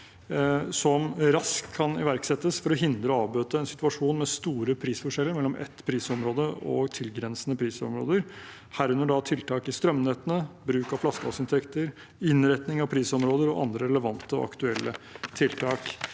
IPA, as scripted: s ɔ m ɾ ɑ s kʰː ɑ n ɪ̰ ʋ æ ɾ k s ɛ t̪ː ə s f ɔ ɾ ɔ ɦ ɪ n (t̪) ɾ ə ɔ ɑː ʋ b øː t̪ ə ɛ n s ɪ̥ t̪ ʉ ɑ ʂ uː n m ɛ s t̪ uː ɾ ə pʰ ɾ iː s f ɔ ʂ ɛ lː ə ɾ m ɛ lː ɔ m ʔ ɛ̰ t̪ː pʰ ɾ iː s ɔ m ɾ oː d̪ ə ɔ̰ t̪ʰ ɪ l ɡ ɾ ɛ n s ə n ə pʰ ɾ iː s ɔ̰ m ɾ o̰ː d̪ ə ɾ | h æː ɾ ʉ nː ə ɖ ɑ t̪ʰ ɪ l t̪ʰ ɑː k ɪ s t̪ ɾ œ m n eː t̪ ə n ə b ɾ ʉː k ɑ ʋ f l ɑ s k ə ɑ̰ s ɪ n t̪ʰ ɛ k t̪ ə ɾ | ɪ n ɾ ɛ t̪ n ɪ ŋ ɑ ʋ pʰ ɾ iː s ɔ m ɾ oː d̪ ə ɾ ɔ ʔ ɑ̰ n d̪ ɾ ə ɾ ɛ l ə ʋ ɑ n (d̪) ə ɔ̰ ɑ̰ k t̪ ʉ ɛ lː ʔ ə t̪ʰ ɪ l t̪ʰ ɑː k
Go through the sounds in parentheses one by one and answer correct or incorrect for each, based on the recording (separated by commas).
incorrect, incorrect